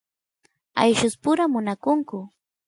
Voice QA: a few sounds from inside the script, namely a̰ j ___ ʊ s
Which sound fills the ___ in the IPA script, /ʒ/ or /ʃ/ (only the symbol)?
ʃ